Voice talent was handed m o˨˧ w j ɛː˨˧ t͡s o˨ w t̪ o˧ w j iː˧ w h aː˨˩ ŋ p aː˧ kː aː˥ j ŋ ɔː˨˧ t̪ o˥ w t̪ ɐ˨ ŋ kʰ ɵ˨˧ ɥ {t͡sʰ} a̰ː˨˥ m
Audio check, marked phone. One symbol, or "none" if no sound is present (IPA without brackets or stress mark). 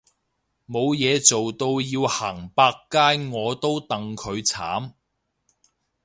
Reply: t͡sʰ